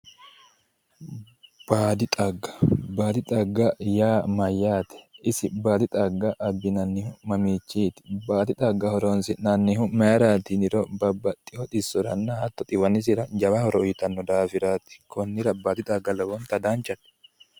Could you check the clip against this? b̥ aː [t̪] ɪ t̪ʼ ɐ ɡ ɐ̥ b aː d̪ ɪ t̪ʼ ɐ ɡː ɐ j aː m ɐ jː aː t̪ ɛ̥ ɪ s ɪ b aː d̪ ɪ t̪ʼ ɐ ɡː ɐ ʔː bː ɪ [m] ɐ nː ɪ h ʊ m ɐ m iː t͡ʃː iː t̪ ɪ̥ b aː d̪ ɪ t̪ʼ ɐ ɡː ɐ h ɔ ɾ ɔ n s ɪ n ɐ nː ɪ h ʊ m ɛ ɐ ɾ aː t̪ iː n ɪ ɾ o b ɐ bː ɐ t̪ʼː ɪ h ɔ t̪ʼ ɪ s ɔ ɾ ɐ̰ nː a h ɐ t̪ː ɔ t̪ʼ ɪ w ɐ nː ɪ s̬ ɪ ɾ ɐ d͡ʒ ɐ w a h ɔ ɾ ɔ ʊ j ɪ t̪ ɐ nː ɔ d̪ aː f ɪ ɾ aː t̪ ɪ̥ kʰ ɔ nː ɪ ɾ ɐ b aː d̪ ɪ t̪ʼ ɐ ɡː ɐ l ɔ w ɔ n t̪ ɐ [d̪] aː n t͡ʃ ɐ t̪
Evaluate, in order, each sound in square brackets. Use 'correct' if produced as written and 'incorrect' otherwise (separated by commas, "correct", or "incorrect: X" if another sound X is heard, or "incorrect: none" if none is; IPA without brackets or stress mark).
incorrect: d̪, incorrect: n, correct